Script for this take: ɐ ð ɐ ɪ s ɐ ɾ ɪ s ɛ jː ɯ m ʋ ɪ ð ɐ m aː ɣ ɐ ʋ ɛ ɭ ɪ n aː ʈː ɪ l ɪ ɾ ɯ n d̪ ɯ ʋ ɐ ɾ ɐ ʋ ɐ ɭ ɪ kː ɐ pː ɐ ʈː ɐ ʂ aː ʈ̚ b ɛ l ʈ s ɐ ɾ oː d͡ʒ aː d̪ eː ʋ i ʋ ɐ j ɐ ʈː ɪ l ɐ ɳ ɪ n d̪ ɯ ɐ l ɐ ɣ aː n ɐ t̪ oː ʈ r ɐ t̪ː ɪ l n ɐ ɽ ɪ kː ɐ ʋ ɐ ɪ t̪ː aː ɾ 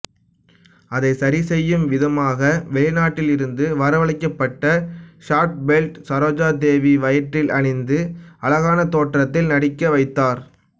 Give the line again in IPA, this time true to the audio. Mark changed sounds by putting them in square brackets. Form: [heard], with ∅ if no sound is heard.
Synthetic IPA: ɐ ð ɐ ɪ s ɐ ɾ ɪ s ɛ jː ɯ m ʋ ɪ ð ɐ m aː ɣ ɐ ʋ ɛ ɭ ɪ n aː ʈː ɪ l ɪ ɾ ɯ n d̪ ɯ ʋ ɐ ɾ ɐ ʋ ɐ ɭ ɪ kː ɐ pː ɐ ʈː ɐ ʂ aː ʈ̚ b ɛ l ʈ s ɐ ɾ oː d͡ʒ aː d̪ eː ʋ i ʋ ɐ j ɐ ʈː ɪ l ɐ ɳ ɪ n d̪ ɯ ɐ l ɐ ɣ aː n ɐ t̪ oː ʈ r ɐ t̪ː ɪ l n ɐ ɽ ɪ kː ɐ ʋ ɐ ɪ t̪ː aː ɾ

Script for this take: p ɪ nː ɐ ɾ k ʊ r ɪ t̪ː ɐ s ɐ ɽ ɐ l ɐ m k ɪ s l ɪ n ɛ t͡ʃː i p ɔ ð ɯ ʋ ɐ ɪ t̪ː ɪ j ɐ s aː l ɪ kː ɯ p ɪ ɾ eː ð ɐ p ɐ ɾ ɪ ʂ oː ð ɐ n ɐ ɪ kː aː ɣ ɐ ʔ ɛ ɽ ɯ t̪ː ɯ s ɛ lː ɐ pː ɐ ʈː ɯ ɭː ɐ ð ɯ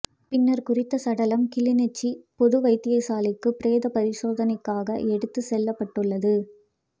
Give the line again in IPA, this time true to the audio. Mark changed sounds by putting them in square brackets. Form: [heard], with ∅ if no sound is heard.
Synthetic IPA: p ɪ nː ɐ ɾ k ʊ r ɪ t̪ː ɐ s ɐ ɽ ɐ l ɐ m k ɪ [∅] l ɪ n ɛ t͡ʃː i p ɔ ð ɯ ʋ ɐ ɪ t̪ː ɪ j ɐ s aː l ɪ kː ɯ p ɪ ɾ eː ð ɐ p ɐ ɾ ɪ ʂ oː ð ɐ n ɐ ɪ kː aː ɣ ɐ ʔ ɛ ɽ ɯ t̪ː ɯ s ɛ lː ɐ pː ɐ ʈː ɯ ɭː ɐ ð ɯ

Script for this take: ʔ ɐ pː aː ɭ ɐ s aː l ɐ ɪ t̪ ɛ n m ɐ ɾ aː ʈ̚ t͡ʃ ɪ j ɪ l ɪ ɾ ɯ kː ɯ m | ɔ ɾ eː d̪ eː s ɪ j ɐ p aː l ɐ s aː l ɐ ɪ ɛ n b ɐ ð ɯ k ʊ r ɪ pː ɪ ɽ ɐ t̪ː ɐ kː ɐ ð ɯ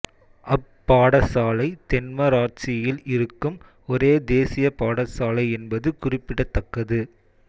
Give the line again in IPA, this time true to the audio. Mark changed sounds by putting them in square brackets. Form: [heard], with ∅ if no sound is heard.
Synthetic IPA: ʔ ɐ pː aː [ɽ] ɐ s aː l ɐ ɪ t̪ ɛ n m ɐ ɾ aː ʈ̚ t͡ʃ ɪ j ɪ l ɪ ɾ ɯ kː ɯ m | ɔ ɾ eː d̪ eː s ɪ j ɐ p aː [ɽ] ɐ s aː l ɐ ɪ ɛ n b ɐ ð ɯ k ʊ r ɪ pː ɪ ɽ ɐ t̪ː ɐ kː ɐ ð ɯ

